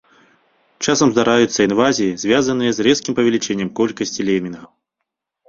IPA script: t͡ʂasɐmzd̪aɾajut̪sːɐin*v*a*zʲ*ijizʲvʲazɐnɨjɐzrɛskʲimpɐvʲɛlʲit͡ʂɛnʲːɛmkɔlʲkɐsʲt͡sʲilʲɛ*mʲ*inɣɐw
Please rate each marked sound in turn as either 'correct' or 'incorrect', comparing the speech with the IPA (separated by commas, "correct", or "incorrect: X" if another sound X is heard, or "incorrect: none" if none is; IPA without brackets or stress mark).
correct, correct, correct